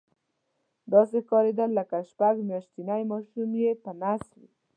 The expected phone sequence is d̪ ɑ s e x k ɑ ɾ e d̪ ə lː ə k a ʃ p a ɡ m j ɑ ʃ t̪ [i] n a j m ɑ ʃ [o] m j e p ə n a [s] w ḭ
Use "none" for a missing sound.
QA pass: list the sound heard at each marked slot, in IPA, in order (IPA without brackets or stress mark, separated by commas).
i, u, s